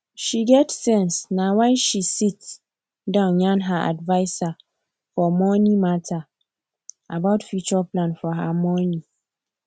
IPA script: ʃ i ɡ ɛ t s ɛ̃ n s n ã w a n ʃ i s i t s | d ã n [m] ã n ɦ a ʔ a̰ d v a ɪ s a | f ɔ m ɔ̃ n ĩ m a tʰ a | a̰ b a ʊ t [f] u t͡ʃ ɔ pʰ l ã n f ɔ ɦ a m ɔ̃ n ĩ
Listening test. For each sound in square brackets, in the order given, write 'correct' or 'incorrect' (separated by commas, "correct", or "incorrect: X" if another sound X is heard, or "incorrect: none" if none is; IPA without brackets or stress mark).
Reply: incorrect: ɲ, correct